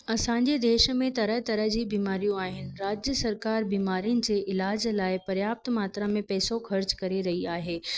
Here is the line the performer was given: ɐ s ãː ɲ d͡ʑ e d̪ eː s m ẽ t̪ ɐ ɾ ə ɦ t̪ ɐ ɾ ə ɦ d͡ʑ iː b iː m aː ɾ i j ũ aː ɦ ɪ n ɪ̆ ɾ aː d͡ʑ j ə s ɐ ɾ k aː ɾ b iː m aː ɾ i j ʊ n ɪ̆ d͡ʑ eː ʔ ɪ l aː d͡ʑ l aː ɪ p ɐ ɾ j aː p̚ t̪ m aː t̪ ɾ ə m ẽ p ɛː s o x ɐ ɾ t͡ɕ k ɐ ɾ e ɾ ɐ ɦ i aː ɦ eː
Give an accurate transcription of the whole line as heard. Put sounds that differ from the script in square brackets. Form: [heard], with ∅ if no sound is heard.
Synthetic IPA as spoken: ɐ s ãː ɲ d͡ʑ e d̪ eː [ʃ] m ẽ t̪ ɐ ɾ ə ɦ t̪ ɐ ɾ ə ɦ d͡ʑ iː b iː m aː ɾ i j ũ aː ɦ ɪ n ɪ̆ ɾ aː d͡ʑ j ə s ɐ ɾ k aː ɾ b iː m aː ɾ i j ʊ n ɪ̆ d͡ʑ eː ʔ ɪ l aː d͡ʑ l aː ɪ p ɐ ɾ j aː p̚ t̪ m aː t̪ ɾ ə m ẽ p ɛː s o x ɐ ɾ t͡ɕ k ɐ ɾ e ɾ ɐ ɦ i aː ɦ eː